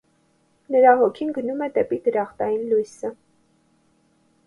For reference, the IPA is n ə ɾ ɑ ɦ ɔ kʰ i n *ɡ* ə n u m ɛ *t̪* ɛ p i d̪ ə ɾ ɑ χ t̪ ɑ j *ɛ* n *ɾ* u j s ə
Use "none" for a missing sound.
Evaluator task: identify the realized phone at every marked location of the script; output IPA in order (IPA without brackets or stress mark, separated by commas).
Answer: ɡ, d̪, i, l